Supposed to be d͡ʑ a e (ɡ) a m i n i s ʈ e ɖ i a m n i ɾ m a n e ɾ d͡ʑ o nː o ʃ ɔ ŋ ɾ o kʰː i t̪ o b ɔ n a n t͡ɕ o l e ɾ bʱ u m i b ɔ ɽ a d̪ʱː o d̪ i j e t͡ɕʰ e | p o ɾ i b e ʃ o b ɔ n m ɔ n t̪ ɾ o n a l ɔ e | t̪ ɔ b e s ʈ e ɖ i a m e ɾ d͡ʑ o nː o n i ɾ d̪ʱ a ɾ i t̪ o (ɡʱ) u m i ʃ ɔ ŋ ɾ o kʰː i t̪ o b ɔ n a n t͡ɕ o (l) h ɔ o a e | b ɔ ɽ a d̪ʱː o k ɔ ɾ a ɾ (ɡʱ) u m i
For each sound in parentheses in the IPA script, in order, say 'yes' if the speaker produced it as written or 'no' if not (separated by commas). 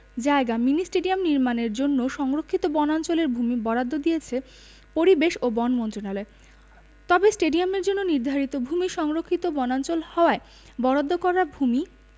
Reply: yes, no, yes, no